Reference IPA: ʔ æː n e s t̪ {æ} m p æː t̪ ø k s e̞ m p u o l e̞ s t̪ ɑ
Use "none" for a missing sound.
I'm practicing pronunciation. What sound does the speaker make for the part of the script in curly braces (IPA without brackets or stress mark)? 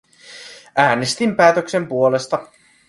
i